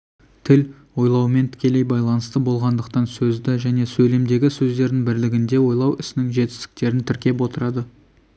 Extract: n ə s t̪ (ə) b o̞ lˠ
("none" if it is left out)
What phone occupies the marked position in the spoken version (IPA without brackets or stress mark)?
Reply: ə